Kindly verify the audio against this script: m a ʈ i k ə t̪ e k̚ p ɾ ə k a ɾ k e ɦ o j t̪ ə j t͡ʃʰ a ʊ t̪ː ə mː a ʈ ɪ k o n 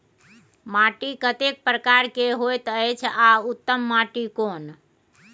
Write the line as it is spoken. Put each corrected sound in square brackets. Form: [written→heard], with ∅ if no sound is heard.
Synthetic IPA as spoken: m a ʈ i k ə t̪ e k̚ p ɾ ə k a ɾ k e ɦ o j t̪ ə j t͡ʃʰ a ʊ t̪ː ə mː a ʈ [ɪ→i] k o n